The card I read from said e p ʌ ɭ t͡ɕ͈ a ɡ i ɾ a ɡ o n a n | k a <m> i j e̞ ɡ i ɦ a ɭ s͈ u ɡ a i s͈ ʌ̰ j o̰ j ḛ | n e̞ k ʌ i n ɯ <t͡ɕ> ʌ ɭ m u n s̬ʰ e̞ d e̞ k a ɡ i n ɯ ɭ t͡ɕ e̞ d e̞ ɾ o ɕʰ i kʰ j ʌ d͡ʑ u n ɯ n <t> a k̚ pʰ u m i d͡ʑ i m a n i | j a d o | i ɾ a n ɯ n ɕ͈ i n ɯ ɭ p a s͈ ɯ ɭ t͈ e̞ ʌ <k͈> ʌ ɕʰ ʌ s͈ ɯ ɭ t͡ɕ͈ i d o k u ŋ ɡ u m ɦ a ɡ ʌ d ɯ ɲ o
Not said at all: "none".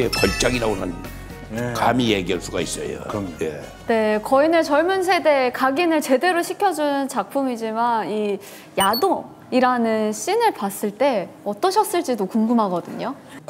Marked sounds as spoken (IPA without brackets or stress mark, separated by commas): m, t͡ɕ, t͡ɕ, t͈